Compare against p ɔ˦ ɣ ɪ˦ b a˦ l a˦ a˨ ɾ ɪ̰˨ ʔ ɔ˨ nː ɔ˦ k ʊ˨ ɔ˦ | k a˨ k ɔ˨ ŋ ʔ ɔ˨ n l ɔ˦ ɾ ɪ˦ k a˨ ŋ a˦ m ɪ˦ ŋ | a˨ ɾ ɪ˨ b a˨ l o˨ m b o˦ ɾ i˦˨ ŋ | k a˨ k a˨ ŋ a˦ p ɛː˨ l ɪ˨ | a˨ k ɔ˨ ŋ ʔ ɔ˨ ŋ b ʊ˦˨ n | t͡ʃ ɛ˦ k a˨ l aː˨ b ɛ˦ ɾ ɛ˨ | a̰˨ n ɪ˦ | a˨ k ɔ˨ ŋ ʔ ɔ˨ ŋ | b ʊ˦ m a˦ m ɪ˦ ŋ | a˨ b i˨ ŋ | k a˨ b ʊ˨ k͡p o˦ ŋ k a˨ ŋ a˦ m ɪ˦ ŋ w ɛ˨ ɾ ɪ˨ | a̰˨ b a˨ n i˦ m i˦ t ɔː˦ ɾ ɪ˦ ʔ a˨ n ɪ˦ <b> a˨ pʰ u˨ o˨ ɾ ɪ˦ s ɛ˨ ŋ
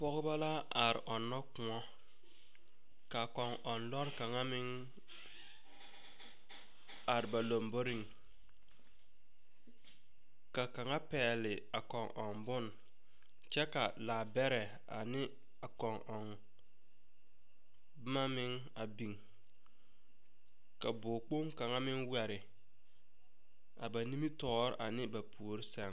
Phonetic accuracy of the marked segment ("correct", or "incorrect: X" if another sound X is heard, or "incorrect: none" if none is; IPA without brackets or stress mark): correct